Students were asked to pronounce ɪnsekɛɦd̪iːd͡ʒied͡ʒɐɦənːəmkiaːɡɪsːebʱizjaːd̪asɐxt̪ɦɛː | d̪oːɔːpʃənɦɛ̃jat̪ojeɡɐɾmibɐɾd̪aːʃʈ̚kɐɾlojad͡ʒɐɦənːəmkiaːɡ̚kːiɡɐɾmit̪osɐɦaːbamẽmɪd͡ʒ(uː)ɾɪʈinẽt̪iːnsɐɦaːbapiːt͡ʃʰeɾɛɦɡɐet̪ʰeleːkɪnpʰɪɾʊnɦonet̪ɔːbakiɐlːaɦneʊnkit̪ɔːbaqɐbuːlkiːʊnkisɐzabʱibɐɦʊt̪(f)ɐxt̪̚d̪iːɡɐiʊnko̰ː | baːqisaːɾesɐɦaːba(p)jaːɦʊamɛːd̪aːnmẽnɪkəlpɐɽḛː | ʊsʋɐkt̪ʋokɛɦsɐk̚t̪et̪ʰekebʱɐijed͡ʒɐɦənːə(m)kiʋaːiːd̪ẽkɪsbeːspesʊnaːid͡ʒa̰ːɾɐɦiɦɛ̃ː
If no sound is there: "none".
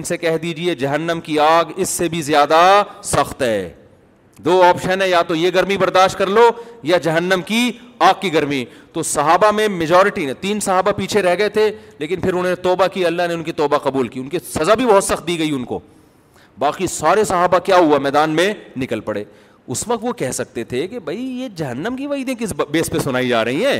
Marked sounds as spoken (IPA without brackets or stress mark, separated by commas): ɔː, s, k, m